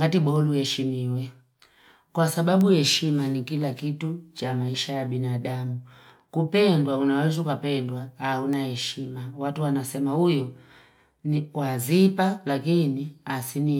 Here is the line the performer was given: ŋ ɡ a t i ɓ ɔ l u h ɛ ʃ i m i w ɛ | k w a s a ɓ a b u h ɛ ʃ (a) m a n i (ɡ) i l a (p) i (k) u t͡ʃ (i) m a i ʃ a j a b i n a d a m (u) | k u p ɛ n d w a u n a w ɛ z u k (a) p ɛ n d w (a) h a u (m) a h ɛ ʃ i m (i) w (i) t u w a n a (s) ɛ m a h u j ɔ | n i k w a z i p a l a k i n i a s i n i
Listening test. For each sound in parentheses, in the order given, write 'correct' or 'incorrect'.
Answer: incorrect: i, incorrect: k, incorrect: k, incorrect: t, incorrect: a, correct, correct, correct, incorrect: n, incorrect: a, incorrect: a, correct

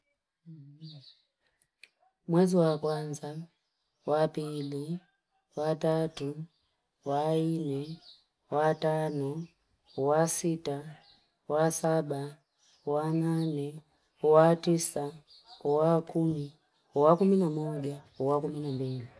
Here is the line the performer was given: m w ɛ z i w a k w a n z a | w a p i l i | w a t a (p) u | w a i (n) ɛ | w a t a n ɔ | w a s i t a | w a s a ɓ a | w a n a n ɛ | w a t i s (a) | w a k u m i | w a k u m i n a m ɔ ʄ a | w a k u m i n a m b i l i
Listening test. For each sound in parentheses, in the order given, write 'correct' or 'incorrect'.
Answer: incorrect: t, correct, correct

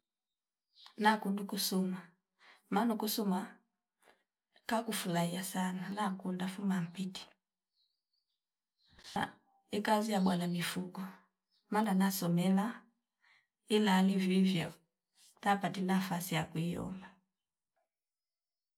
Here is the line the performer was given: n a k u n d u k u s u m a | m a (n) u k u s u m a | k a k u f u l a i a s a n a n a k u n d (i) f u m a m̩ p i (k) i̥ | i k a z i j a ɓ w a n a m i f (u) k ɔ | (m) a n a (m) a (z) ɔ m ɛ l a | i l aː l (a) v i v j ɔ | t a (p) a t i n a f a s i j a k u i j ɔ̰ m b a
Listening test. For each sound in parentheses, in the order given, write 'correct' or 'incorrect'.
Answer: correct, incorrect: a, incorrect: t, correct, correct, incorrect: n, incorrect: s, incorrect: i, correct

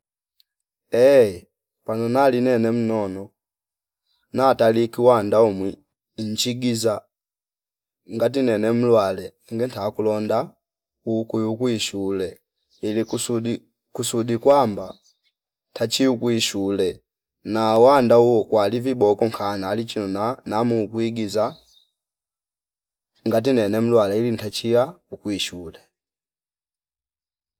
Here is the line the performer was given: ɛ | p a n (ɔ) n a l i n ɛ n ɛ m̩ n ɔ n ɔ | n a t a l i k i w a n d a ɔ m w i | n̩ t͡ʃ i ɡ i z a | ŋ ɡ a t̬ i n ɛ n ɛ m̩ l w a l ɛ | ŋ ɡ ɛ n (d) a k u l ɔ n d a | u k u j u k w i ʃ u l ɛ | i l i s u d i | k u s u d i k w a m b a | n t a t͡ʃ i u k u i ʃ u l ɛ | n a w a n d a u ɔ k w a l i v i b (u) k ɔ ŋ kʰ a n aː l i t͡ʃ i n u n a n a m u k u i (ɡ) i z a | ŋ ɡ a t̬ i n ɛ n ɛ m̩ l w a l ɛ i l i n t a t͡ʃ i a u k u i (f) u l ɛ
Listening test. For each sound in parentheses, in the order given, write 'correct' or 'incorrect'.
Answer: correct, incorrect: t, incorrect: ɔ, correct, incorrect: ʃ

